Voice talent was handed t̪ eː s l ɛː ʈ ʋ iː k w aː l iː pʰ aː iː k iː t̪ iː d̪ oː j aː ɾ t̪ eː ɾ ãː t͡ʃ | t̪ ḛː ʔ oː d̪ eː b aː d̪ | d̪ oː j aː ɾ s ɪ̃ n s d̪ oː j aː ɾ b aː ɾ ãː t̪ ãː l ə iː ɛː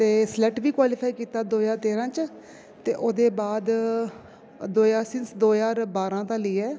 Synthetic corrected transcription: t̪ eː s l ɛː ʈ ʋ iː k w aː l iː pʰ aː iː k iː t̪ aː d̪ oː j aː ɾ t̪ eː ɾ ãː t͡ʃ | t̪ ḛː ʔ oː d̪ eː b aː d̪ | d̪ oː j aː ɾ s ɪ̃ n s d̪ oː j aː ɾ b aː ɾ ãː t̪ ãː l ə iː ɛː